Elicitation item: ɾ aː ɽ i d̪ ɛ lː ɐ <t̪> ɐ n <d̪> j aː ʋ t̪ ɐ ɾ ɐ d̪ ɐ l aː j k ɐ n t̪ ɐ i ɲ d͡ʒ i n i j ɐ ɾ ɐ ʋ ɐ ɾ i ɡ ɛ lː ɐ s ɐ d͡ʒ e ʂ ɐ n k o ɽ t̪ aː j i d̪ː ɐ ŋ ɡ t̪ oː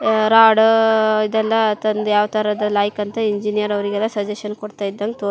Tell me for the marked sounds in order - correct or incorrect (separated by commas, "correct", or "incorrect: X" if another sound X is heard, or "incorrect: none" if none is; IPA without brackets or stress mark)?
correct, correct